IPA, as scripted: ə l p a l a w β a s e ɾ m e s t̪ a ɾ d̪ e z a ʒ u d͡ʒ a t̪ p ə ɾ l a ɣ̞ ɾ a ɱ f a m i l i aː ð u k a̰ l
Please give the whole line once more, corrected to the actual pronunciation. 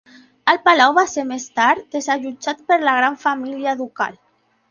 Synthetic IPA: ə l p a l a w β a s e ɾ m e s t̪ a ɾ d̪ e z a ʒ u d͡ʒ a t̪ p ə ɾ l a ɣ̞ ɾ a ɱ f a m i l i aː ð u k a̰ l